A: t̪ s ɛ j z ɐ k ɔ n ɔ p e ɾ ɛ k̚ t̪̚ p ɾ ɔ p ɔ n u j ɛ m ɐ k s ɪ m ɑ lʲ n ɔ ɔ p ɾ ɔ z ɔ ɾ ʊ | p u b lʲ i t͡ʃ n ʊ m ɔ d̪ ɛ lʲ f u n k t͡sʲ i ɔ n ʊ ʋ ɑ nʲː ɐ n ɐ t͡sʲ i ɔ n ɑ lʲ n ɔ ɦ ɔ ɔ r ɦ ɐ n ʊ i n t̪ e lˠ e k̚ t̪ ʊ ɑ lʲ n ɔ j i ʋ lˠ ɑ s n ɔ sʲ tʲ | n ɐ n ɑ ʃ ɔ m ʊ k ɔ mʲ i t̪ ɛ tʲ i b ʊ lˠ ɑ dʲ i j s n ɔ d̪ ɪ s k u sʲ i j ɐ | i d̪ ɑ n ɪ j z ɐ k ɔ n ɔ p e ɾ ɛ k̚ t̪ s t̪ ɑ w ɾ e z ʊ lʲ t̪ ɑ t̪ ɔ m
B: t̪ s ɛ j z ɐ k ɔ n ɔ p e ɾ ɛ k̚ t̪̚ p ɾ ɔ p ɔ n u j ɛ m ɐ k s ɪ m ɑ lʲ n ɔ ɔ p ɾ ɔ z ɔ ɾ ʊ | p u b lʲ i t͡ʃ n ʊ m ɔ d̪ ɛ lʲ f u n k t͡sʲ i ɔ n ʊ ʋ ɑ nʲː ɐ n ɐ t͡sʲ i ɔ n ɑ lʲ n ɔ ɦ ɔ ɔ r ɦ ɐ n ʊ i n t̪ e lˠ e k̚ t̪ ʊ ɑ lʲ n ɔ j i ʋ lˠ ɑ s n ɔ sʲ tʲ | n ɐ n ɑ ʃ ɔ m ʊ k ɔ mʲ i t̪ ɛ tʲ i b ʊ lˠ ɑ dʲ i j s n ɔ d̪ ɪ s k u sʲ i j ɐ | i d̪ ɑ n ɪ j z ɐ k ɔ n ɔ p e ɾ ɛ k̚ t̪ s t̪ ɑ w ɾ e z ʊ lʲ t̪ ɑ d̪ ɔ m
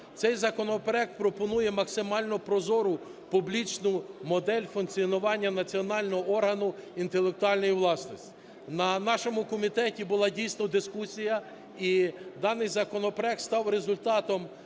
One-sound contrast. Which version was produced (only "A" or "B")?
A